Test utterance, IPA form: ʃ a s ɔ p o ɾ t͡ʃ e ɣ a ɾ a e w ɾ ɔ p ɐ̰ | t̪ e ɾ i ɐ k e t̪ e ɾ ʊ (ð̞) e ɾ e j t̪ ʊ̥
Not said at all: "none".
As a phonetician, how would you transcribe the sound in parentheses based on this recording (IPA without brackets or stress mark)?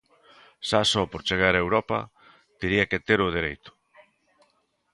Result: ð̞